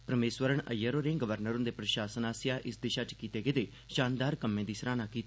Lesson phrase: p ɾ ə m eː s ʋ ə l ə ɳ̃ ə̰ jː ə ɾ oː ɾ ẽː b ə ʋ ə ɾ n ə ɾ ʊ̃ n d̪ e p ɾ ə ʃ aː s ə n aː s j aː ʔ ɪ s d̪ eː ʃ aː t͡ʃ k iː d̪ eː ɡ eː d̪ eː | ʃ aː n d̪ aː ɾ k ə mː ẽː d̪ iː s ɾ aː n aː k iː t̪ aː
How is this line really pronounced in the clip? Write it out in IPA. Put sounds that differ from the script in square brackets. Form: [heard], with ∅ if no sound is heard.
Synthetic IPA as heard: p ɾ ə m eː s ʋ ə [ɾ] ə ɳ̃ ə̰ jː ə ɾ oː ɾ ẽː [ɡ] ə ʋ ə ɾ n ə ɾ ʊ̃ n d̪ e p ɾ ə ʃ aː s ə n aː s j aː ʔ ɪ s d̪ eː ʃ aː t͡ʃ k iː [t̪] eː ɡ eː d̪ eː | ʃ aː n d̪ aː ɾ k ə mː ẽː d̪ iː s ɾ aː n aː k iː t̪ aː